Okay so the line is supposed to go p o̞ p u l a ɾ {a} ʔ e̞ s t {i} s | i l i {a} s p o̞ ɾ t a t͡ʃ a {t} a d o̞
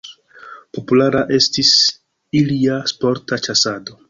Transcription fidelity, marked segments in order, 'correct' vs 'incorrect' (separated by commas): correct, correct, correct, incorrect